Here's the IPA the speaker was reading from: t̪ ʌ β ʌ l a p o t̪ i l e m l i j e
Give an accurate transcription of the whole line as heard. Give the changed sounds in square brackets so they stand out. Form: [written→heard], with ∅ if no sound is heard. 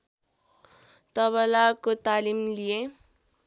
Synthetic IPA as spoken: t̪ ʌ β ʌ l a [p→k] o t̪ [i→a] l [e→i] m l i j e